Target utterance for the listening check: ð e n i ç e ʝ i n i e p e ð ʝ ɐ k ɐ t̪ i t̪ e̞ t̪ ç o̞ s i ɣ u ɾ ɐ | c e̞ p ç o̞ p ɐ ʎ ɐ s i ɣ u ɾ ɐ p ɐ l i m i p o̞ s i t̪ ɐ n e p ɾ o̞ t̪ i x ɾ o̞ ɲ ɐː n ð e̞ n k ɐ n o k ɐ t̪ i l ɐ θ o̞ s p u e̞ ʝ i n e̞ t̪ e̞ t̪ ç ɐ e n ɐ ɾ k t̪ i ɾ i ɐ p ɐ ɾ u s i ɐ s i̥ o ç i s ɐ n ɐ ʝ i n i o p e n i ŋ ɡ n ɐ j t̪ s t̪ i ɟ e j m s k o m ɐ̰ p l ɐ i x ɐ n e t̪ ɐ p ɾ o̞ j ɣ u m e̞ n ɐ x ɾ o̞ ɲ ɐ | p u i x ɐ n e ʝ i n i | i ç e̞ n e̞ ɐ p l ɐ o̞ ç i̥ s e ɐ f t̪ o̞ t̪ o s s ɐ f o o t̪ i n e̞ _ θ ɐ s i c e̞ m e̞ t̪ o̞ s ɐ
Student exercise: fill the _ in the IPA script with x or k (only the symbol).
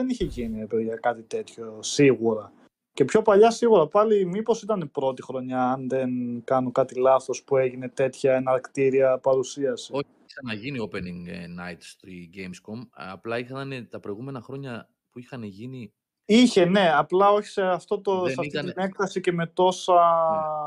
k